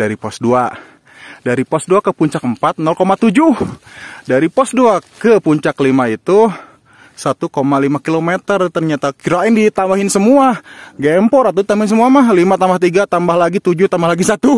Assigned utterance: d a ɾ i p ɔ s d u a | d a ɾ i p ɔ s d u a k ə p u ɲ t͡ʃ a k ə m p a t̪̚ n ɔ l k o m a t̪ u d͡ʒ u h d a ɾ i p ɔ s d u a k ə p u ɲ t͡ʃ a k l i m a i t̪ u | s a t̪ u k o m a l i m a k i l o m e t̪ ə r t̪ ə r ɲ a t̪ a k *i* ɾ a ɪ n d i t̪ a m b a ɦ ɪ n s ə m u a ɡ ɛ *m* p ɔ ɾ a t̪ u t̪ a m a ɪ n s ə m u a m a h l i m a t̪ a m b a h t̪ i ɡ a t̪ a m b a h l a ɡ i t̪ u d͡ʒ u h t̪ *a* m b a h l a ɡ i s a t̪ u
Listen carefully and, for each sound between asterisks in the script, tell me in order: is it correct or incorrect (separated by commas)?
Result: correct, correct, correct